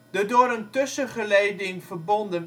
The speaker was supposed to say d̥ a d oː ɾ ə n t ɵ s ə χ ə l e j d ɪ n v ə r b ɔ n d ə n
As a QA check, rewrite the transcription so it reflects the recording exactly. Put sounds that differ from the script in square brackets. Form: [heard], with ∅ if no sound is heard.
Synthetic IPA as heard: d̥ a d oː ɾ ə n t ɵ s ə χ ə l e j d ɪ [ŋ] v ə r b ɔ n d ə n